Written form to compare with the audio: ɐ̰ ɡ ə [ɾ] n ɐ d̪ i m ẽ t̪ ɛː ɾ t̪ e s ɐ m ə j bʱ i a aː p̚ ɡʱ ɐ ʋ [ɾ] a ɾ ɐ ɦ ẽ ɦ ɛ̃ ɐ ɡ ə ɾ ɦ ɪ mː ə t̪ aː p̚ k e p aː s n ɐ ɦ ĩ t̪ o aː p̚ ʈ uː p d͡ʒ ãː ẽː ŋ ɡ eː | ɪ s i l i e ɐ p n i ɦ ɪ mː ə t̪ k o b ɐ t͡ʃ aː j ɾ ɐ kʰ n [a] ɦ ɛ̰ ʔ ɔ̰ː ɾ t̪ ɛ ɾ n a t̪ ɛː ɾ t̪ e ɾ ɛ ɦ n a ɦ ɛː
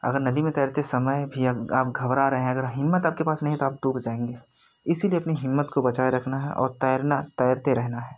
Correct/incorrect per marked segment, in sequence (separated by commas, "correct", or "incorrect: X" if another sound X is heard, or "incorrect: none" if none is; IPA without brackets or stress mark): correct, correct, correct